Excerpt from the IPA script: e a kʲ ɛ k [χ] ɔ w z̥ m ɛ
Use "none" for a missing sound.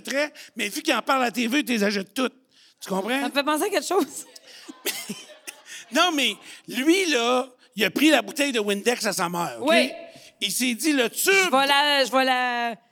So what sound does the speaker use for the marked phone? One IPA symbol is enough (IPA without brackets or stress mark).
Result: ʃ